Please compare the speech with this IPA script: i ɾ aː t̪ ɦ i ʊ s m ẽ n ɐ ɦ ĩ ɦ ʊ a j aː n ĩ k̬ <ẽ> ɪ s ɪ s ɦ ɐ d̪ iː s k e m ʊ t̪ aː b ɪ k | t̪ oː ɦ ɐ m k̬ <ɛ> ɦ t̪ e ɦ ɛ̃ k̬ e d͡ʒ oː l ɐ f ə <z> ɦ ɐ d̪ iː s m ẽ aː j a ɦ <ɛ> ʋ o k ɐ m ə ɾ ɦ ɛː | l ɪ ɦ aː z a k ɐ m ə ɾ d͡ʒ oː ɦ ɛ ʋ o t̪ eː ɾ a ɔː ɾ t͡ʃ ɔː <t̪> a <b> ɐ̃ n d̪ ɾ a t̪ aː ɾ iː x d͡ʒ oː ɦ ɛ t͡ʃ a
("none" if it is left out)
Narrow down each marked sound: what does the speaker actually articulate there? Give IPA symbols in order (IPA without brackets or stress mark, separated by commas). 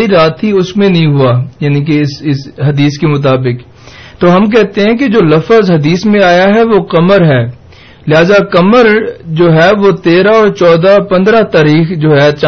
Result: e, ɛ, z, ɛ, d̪, p